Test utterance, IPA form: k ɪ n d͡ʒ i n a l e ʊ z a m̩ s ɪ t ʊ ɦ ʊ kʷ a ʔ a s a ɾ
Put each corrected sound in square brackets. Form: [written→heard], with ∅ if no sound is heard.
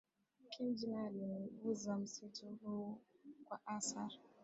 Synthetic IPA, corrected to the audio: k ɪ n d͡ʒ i n a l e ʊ z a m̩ s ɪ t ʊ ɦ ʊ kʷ a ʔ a s a ɾ